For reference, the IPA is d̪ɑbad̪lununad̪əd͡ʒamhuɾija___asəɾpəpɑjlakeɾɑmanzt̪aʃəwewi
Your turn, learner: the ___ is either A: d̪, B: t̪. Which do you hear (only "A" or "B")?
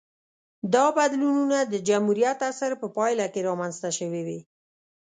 B